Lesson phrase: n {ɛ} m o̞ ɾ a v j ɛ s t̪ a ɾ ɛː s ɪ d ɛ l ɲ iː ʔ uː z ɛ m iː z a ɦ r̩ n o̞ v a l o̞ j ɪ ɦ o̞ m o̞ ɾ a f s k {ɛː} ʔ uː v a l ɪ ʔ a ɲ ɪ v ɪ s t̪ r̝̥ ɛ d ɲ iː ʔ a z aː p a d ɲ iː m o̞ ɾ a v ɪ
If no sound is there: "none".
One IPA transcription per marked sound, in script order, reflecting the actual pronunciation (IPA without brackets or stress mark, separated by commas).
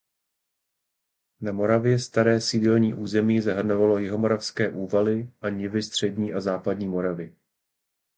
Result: a, ɛː